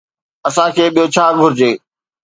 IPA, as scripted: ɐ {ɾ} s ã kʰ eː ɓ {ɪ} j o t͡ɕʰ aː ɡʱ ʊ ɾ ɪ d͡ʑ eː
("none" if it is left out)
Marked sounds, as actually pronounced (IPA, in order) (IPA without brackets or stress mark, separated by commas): none, i